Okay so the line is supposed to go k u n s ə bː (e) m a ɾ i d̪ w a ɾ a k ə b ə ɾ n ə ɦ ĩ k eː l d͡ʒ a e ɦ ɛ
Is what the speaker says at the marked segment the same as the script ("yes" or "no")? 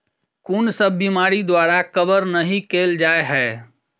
no